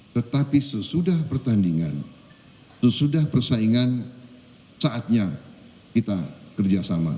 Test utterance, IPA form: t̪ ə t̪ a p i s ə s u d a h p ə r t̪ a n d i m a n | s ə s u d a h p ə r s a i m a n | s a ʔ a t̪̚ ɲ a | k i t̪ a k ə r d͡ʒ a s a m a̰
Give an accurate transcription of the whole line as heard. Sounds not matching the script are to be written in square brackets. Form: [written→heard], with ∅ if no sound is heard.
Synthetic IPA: t̪ ə t̪ a p i s ə s u d a h p ə r t̪ a n d i [m→ŋ] a n | s ə s u d a h p ə r s a i [m→ŋ] a n | s a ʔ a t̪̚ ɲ a | k i t̪ a k ə r d͡ʒ a s a m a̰